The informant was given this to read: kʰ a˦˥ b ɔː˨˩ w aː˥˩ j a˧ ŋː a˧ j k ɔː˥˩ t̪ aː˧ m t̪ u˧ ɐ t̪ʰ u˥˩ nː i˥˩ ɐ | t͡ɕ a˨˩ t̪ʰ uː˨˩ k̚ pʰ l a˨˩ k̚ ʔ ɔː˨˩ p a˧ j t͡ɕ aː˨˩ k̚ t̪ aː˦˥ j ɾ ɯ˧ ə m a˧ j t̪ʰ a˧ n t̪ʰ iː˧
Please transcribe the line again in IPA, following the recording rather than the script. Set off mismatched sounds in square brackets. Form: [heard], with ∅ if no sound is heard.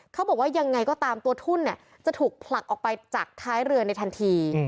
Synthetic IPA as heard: kʰ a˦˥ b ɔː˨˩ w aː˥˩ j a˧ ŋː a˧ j k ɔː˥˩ t̪ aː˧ m t̪ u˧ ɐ t̪ʰ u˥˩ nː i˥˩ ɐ | t͡ɕ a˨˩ t̪ʰ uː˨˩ k̚ pʰ l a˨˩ k̚ ʔ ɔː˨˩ p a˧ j t͡ɕ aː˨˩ k̚ [t̪ʰ] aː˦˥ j ɾ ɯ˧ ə [n] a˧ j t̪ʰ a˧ n t̪ʰ iː˧